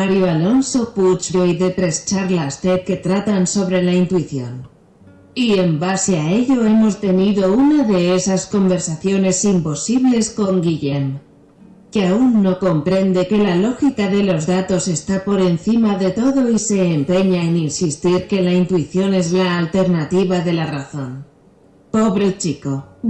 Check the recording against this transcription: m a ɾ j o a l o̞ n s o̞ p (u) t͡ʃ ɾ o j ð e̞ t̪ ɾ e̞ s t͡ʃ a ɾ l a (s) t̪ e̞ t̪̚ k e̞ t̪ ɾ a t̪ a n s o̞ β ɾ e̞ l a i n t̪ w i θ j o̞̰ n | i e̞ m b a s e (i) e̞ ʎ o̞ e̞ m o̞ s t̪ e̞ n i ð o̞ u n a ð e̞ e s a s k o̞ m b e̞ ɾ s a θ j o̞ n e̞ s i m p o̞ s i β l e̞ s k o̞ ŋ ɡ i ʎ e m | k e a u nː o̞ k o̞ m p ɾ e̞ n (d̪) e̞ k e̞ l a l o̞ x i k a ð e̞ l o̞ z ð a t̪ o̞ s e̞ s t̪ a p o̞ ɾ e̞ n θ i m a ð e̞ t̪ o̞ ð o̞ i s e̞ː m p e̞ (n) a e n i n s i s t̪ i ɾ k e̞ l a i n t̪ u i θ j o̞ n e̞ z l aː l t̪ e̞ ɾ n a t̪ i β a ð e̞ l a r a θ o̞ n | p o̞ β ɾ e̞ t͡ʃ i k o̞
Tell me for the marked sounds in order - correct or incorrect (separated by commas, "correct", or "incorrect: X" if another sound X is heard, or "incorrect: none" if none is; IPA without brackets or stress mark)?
correct, correct, incorrect: a, correct, incorrect: ɲ